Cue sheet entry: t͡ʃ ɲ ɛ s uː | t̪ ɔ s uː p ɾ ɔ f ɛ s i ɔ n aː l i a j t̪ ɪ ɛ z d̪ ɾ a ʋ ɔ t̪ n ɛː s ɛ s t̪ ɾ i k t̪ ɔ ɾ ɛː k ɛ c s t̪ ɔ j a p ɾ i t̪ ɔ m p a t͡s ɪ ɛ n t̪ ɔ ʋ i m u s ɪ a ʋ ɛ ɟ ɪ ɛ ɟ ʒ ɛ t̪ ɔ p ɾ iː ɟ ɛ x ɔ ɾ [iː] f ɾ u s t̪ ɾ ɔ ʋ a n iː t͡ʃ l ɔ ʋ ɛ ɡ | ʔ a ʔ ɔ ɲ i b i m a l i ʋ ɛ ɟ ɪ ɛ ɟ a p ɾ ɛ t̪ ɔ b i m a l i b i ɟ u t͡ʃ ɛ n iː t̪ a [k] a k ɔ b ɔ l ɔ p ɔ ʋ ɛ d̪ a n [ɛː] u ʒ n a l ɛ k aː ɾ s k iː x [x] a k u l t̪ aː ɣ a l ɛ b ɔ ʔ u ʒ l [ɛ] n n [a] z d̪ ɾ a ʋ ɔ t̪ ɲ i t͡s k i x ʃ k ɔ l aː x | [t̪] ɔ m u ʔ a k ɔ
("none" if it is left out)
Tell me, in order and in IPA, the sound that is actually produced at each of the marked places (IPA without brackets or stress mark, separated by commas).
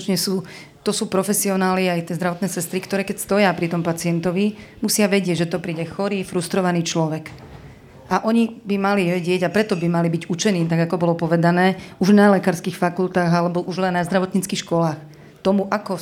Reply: iː, ɡ, ɛː, f, ɛ, a, t̪